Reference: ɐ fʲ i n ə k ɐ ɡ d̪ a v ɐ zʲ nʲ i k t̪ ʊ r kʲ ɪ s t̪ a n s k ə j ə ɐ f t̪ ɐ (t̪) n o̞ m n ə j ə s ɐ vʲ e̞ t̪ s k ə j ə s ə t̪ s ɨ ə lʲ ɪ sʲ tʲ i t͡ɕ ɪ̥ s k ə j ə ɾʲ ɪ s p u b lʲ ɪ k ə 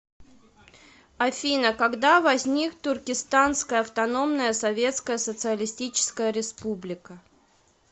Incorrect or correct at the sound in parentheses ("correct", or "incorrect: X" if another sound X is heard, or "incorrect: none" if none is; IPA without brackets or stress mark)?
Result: incorrect: none